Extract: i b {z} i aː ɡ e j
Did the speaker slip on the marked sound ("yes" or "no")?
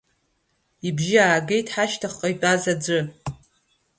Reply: yes